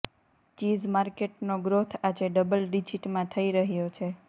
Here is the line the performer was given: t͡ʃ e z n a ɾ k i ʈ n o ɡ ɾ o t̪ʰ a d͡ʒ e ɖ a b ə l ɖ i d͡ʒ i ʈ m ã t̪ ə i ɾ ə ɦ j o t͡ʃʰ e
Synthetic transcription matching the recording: t͡ʃ i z m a ɾ k e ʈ n o ɡ ɾ o t̪ʰ a d͡ʒ e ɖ ə b ə l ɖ i d͡ʒ i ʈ m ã t̪ʰ ə i ɾ ə ɦ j o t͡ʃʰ e